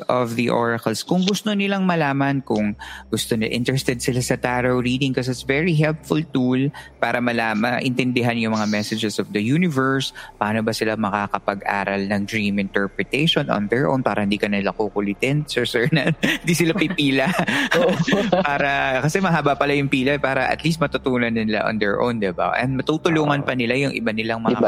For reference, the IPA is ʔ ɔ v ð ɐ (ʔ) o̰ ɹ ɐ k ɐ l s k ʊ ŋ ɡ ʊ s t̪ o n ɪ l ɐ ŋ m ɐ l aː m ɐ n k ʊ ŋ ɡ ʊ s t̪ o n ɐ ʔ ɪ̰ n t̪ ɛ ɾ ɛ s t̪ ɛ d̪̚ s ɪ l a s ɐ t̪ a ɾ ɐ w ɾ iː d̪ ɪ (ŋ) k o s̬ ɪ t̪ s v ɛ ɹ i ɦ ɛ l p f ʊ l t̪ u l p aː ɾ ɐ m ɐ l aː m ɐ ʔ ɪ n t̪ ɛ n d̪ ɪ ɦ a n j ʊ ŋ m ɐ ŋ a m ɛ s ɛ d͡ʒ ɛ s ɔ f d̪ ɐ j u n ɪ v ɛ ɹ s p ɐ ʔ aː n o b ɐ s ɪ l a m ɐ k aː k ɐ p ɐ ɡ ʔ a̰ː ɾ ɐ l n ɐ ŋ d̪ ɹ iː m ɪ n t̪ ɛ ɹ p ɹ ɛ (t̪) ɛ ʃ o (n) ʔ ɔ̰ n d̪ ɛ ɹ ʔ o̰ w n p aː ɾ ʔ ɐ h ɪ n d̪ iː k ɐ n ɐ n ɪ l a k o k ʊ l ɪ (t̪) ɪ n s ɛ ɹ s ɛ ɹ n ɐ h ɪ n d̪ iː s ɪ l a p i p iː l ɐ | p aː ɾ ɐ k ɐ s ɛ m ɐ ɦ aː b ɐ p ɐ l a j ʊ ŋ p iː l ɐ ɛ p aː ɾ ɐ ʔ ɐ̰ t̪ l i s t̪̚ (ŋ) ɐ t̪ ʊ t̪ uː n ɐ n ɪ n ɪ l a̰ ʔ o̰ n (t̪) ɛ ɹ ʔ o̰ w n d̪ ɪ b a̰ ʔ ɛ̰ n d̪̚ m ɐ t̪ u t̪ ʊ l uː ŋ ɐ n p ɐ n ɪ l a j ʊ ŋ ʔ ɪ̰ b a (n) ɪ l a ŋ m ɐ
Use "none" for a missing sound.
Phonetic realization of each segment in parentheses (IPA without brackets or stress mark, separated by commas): ʔ, ŋ, t̪, n, t̪, m, d̪, n